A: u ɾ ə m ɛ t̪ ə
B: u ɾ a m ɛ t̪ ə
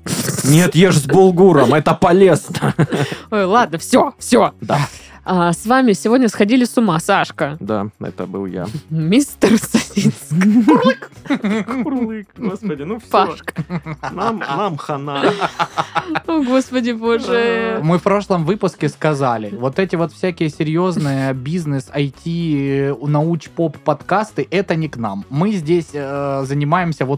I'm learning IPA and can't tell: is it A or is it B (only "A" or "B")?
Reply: A